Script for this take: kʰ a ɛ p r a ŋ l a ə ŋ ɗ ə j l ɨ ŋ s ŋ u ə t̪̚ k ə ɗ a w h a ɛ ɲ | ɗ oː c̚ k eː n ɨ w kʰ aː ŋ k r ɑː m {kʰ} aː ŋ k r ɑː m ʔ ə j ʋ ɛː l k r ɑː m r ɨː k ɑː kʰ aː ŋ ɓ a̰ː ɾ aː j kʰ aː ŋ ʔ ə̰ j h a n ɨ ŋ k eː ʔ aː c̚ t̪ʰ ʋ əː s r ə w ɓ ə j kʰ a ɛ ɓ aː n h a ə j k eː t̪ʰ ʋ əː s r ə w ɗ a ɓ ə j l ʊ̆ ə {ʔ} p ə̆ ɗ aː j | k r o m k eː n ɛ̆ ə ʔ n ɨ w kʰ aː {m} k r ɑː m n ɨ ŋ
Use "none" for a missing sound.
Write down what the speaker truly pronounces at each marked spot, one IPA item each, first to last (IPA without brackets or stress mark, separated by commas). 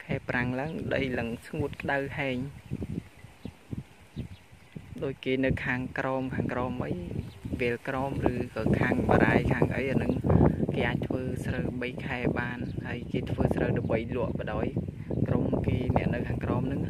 kʰ, ʔ, ŋ